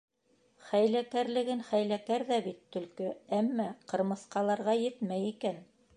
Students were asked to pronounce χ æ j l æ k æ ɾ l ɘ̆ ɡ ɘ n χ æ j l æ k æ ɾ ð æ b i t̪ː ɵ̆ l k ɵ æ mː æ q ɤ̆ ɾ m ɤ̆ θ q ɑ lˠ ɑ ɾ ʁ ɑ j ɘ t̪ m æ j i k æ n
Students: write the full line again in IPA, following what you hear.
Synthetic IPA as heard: χ æ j l æ k æ ɾ l ɘ̆ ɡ ɘ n χ æ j l æ k æ ɾ ð æ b i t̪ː ɵ̆ l k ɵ æ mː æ q ɤ̆ ɾ m ɤ̆ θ q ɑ lˠ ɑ ɾ ʁ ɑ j ɘ t̪ m æ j i k æ n